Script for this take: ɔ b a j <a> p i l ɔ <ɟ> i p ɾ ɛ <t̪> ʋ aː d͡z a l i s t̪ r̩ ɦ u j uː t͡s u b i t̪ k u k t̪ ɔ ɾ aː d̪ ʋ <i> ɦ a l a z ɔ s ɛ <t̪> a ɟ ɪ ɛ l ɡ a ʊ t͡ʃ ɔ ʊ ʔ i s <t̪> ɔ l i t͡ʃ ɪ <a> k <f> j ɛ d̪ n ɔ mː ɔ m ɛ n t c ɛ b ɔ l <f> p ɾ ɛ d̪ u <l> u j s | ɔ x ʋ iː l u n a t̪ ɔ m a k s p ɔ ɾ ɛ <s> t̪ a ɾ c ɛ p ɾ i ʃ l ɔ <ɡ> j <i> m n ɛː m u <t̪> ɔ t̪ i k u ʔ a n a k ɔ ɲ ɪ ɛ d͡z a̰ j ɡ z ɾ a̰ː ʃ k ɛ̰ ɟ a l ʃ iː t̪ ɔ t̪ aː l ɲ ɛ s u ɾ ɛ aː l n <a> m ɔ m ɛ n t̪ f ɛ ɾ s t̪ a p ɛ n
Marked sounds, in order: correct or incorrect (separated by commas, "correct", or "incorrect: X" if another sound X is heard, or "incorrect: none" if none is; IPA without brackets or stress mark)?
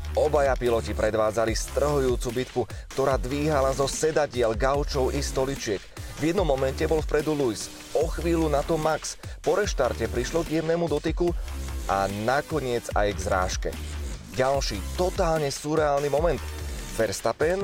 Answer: correct, incorrect: c, incorrect: d̪, incorrect: iː, incorrect: d̪, correct, incorrect: ɛ, incorrect: v, correct, correct, incorrect: ʃ, correct, incorrect: ɛ, incorrect: d̪, incorrect: i